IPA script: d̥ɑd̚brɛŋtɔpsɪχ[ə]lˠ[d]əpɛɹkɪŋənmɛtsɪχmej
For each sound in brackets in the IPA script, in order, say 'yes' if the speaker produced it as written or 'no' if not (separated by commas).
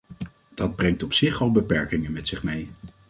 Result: no, no